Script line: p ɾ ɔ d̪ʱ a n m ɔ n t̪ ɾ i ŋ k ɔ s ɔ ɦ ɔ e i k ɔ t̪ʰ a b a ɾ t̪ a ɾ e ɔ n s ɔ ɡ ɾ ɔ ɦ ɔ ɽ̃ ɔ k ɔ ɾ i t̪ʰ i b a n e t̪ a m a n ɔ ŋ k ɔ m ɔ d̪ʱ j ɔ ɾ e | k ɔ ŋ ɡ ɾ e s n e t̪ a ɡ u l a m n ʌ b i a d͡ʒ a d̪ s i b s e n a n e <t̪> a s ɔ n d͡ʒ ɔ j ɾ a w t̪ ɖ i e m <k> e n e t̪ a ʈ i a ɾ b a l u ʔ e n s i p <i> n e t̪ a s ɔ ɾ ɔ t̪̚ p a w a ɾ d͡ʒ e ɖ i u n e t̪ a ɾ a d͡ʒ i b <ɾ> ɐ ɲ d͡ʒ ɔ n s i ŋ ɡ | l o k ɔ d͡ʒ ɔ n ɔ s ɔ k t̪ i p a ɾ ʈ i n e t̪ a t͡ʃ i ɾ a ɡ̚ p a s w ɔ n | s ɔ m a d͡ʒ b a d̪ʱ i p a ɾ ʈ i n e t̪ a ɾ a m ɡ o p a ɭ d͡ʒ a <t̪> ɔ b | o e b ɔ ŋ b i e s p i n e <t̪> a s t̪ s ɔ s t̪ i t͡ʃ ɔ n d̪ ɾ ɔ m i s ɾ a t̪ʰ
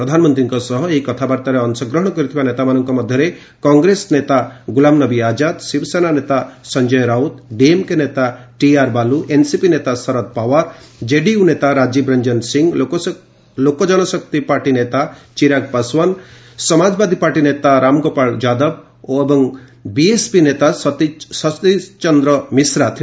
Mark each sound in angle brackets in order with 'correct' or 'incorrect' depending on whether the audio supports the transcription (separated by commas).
correct, correct, correct, correct, incorrect, correct